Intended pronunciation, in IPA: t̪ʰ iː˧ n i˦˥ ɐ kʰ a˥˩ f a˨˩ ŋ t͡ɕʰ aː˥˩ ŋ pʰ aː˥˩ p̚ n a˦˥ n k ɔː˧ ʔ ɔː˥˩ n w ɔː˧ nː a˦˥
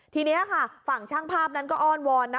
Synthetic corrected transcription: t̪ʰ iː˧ n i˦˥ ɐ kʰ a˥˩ f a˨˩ ŋ t͡ɕʰ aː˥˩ ŋ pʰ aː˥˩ p̚ n a˦˥ n k ɔː˥˩ ʔ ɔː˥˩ n w ɔː˧ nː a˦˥

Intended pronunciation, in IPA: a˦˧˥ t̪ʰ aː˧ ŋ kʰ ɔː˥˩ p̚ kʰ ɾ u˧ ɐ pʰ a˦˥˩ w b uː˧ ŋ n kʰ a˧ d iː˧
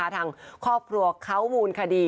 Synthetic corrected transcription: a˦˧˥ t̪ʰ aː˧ ŋ kʰ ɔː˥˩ p̚ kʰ ɾ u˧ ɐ kʰ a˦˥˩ w m uː˧ n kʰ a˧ d iː˧

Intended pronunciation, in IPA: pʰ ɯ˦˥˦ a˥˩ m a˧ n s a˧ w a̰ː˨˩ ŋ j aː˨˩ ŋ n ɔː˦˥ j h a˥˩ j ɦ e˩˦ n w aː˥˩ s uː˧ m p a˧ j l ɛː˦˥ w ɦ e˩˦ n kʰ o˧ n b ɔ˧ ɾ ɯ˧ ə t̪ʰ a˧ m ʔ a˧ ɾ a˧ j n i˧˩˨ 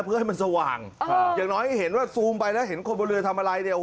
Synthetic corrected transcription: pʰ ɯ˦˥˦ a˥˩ m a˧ n s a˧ w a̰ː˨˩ ŋ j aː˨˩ ŋ n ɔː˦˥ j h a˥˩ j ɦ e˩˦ n w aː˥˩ s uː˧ m p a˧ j l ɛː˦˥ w ɦ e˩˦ n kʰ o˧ n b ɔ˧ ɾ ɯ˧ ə t̪ʰ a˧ m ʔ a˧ ɾ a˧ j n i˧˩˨

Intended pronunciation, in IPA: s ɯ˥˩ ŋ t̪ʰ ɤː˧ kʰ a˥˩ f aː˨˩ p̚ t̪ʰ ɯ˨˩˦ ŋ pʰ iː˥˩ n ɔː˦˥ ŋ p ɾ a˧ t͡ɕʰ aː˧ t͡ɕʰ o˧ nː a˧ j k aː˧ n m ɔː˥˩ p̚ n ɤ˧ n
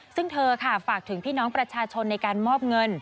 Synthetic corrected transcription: s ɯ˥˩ ŋ t̪ʰ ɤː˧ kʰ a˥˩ f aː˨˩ k̚ t̪ʰ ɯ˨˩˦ ŋ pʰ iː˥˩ n ɔː˦˥ ŋ p ɾ a˧ t͡ɕʰ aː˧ t͡ɕʰ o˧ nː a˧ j k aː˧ n m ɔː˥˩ p̚ ŋ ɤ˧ n

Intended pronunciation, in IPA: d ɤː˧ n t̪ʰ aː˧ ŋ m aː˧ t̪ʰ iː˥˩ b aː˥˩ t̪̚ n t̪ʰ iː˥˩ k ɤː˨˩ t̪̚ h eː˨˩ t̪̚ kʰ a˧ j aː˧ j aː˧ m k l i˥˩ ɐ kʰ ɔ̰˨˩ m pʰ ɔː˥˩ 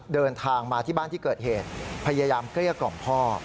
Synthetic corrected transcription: d ɤː˧ n t̪ʰ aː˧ ŋ m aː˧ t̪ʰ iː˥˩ b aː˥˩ n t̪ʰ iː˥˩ k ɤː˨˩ t̪̚ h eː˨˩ t̪̚ pʰ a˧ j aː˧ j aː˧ m k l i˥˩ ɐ k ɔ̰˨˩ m pʰ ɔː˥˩

